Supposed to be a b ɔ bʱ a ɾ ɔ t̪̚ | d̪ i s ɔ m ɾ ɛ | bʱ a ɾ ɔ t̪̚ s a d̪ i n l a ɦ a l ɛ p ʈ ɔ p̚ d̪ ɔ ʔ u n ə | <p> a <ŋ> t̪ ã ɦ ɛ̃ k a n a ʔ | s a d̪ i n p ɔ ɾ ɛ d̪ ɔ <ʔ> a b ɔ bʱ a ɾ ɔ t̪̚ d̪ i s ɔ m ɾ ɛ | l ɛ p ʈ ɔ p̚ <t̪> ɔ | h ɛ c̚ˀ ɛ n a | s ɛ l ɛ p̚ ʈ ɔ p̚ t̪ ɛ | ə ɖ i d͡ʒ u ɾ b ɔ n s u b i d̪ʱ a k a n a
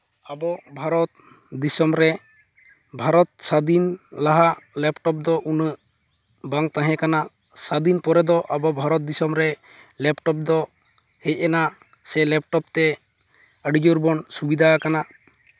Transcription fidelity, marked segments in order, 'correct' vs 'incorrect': incorrect: b, correct, correct, incorrect: d̪

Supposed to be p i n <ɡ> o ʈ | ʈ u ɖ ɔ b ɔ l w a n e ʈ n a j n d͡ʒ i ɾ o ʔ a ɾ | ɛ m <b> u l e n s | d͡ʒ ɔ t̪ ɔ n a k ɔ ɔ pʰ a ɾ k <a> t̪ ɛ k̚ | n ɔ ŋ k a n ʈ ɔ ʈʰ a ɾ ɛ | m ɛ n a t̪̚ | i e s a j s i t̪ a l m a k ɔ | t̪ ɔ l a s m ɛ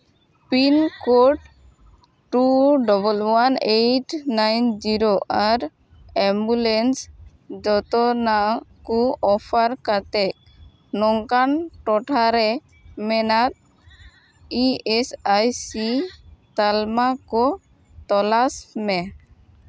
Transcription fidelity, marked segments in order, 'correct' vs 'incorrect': incorrect: k, correct, correct

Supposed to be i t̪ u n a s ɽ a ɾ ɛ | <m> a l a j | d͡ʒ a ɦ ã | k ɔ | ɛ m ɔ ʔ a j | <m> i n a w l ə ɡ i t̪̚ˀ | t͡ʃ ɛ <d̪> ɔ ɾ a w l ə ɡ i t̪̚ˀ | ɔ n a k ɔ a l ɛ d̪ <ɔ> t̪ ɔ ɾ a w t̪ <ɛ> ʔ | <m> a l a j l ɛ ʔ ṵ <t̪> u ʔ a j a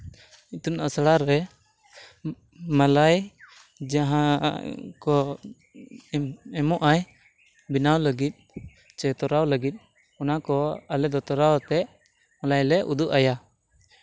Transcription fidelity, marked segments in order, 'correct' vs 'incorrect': correct, incorrect: b, incorrect: t̪, correct, correct, correct, incorrect: d̪

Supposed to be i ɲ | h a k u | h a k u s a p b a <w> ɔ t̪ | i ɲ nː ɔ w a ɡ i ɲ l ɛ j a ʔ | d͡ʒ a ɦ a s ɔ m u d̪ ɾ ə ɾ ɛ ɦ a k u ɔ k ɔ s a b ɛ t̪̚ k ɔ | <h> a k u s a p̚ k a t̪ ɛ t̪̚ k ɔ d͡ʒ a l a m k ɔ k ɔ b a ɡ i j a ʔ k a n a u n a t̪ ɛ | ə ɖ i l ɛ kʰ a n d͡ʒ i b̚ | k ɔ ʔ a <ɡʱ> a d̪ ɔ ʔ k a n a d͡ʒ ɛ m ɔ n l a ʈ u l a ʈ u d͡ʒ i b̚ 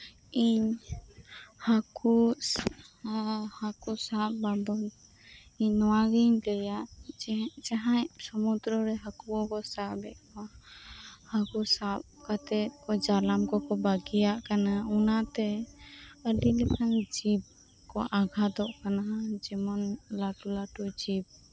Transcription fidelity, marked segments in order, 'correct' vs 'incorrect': incorrect: b, correct, correct

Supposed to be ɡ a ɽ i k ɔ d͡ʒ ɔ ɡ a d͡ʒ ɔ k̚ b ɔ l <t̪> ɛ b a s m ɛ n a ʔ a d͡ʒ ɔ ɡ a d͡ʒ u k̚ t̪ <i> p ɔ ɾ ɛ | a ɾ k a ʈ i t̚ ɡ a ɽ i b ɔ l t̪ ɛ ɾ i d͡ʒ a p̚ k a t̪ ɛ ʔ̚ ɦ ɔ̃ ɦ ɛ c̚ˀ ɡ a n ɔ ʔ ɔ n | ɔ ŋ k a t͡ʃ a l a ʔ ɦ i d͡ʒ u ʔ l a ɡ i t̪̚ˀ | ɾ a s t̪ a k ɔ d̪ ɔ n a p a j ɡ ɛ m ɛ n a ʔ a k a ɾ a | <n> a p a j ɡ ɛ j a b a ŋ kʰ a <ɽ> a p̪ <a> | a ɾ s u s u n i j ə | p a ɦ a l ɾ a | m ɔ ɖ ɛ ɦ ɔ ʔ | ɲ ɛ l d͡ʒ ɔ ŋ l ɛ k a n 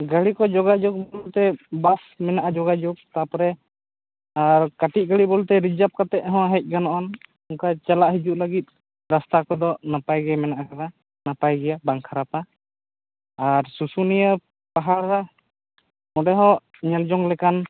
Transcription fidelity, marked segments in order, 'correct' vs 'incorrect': correct, incorrect: a, correct, incorrect: ɾ, correct

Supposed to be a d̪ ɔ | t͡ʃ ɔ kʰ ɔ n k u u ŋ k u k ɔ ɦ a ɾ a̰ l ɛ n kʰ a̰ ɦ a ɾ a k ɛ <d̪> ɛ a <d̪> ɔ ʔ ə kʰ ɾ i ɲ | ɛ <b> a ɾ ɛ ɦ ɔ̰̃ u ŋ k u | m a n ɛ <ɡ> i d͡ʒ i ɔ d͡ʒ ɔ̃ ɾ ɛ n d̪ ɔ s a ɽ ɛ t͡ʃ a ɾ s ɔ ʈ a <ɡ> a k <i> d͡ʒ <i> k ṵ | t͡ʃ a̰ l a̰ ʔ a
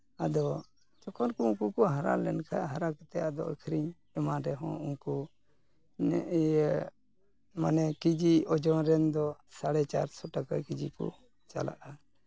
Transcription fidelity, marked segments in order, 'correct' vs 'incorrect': incorrect: t̪, correct, incorrect: m, incorrect: k, incorrect: k, correct, correct

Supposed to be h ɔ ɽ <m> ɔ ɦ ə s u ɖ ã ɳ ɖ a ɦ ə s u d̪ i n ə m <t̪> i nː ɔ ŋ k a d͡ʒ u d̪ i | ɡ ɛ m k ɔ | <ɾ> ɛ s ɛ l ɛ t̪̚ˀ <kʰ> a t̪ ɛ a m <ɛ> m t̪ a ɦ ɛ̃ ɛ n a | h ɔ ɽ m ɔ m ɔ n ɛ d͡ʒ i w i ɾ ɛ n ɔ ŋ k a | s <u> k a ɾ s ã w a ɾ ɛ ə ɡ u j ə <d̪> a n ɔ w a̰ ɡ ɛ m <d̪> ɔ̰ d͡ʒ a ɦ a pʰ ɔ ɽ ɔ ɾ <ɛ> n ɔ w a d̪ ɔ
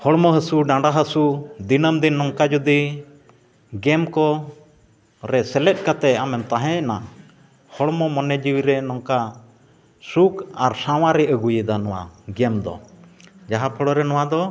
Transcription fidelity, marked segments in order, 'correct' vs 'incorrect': correct, incorrect: d̪, correct, incorrect: k, correct, correct, correct, correct, correct

